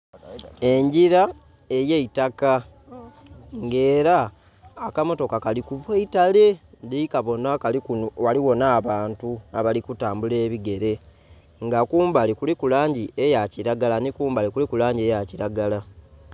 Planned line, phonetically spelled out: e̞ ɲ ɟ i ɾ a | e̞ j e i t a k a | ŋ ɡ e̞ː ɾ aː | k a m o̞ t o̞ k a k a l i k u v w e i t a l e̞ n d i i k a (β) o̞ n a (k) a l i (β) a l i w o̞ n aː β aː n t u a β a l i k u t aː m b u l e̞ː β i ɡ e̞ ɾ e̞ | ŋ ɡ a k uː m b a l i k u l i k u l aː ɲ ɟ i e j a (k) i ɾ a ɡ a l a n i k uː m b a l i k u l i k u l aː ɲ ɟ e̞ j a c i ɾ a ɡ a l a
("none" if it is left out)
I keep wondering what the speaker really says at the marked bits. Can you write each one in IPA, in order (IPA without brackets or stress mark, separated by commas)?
β, k, w, c